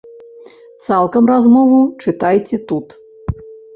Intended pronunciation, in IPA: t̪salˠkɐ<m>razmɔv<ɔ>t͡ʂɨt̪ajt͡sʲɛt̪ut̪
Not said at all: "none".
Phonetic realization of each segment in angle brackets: m, u

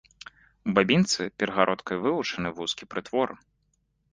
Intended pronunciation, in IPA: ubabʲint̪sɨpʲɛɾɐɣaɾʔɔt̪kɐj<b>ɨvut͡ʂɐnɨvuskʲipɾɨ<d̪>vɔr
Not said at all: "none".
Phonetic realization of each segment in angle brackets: v, t̪

